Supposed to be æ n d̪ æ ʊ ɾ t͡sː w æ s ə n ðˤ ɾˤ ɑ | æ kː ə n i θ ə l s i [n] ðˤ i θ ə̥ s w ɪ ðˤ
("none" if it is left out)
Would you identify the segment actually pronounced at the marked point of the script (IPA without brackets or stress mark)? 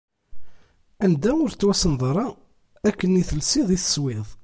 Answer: none